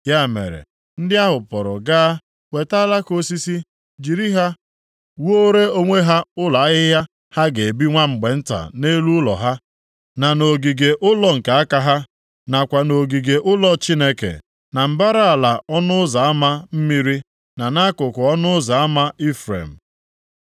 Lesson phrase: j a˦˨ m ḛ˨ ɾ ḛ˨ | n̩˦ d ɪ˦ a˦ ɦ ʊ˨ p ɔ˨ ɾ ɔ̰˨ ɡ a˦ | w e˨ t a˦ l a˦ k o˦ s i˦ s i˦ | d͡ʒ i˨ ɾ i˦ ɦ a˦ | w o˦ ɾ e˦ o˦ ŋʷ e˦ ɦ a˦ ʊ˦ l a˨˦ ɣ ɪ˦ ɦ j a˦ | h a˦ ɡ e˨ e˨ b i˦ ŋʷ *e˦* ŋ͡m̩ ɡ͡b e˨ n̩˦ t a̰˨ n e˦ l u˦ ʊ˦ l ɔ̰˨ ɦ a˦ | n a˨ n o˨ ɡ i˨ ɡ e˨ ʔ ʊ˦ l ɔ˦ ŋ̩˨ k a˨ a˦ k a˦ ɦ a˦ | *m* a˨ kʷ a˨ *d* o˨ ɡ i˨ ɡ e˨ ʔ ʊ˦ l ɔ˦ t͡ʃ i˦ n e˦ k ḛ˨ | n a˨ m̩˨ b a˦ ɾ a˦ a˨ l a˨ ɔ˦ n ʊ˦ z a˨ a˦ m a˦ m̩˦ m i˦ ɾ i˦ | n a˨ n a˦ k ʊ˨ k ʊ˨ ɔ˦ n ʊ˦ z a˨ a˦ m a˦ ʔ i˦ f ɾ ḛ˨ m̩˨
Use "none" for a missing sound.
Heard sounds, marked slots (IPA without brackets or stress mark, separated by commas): a˦, n, n